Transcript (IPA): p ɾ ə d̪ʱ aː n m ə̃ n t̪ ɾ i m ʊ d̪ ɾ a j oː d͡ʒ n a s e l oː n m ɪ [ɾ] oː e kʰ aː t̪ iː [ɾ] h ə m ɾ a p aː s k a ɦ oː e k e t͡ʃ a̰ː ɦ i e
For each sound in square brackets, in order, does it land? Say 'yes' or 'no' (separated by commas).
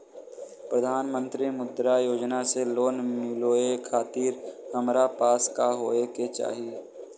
no, yes